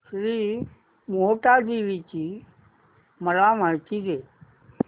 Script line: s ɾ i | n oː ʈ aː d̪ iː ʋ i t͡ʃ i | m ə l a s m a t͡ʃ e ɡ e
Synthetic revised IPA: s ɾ i | m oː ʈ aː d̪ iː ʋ i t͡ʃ i | m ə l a m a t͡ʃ i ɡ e